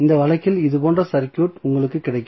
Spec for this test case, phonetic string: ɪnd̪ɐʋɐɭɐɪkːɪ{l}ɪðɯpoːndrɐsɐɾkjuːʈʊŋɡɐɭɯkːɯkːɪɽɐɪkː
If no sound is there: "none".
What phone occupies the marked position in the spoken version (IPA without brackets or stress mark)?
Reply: l